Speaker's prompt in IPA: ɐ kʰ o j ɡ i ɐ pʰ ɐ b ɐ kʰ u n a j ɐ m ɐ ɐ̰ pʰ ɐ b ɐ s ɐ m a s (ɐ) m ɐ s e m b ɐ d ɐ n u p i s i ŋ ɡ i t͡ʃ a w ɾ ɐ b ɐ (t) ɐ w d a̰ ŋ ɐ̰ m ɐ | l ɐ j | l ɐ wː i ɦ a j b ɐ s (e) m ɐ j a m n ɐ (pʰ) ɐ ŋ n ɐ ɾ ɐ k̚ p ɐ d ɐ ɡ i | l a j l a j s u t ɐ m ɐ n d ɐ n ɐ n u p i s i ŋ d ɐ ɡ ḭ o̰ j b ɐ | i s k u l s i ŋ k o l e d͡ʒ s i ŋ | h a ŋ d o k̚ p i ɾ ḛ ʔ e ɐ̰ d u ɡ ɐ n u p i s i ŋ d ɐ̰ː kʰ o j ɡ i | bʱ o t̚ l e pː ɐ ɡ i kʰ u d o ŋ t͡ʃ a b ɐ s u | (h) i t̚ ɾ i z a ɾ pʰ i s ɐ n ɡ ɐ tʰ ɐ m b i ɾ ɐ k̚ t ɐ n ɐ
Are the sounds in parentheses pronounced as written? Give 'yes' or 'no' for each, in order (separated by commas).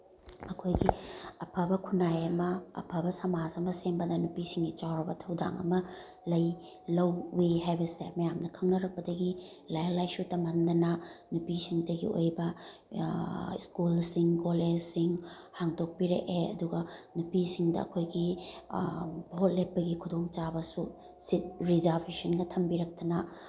yes, no, yes, no, no